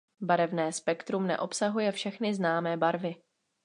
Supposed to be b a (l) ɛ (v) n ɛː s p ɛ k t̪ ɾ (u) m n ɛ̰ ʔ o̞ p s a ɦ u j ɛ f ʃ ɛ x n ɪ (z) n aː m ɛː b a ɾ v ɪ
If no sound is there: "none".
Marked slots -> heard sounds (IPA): ɾ, v, u, z

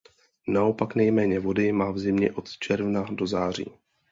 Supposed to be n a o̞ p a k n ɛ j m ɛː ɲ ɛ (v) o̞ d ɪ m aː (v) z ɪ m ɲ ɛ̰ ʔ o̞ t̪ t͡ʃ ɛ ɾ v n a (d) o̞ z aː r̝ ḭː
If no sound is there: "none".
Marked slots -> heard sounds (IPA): v, v, d

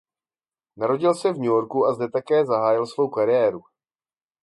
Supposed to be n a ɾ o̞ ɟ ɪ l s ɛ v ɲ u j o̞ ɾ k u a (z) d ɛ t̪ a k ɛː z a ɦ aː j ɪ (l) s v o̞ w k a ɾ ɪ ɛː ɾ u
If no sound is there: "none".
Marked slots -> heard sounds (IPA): z, l

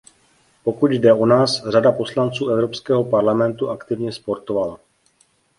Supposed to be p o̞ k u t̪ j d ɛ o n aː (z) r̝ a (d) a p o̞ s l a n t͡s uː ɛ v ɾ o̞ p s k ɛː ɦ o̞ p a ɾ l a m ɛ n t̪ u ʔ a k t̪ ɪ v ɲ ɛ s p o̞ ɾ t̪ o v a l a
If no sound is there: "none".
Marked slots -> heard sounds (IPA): s, d

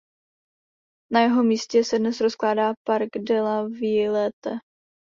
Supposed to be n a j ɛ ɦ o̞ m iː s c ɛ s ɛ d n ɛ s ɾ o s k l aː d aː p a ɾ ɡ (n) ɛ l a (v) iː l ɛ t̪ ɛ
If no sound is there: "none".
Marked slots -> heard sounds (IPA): d, v

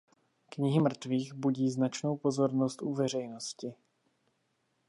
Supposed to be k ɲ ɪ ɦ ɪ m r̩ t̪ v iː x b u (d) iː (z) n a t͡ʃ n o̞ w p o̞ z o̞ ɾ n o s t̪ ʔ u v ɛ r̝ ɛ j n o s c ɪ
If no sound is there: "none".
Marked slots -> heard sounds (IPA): ɟ, z

